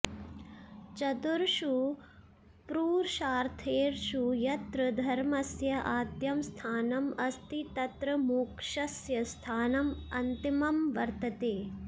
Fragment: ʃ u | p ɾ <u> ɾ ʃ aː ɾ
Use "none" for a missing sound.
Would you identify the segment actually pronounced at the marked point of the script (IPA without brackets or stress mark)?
uː